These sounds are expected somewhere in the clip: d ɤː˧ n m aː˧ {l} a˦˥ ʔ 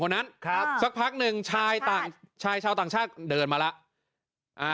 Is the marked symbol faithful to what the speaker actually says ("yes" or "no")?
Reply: yes